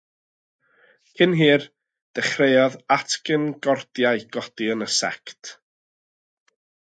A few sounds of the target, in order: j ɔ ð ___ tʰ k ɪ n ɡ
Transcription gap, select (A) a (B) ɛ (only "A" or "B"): A